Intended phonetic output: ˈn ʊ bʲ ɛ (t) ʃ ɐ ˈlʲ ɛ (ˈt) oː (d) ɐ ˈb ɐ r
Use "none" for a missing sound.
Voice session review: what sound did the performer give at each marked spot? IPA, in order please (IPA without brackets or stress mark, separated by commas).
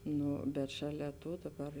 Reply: t, t, d